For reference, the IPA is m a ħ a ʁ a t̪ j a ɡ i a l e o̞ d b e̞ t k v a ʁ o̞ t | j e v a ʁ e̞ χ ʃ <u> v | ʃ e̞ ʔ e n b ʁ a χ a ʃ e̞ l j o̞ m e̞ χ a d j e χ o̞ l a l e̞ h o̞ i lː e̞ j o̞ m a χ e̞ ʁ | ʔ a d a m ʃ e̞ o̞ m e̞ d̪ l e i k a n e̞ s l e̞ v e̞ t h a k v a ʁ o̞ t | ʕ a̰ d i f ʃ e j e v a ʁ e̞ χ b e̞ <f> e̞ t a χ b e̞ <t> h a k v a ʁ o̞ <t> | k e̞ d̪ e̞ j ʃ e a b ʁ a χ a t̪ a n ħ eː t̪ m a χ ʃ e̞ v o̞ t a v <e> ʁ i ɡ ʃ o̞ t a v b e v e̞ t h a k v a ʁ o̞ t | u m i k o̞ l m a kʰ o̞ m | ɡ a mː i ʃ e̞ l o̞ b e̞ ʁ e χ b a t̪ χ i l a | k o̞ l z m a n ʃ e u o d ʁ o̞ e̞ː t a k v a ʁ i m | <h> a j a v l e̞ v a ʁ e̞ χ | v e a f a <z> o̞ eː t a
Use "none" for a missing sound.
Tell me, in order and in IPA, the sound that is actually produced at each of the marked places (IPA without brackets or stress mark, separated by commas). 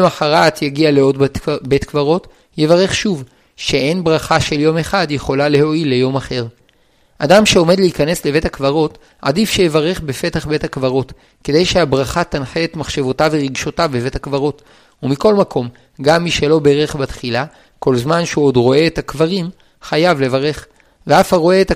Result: u, f, t, t, e, χ, ʁ